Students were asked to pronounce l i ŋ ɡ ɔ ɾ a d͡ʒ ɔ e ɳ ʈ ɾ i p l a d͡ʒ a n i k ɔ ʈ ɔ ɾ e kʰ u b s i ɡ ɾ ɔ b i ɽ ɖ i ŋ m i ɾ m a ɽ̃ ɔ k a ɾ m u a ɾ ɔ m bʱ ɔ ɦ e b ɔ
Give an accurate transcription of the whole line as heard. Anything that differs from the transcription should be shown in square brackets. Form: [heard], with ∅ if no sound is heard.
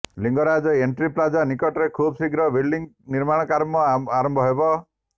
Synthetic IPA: l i ŋ ɡ ɔ ɾ a d͡ʒ ɔ e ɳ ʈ ɾ i p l a d͡ʒ a n i k ɔ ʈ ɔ ɾ e kʰ u b s i ɡ ɾ ɔ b i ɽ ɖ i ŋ [n] i ɾ m a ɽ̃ ɔ k a ɾ m [ɔ] a ɾ ɔ m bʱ ɔ ɦ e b ɔ